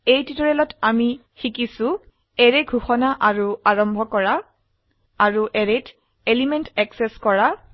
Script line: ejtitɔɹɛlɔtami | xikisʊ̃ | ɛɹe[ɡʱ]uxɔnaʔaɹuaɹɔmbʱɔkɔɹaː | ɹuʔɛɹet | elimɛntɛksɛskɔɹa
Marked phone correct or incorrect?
correct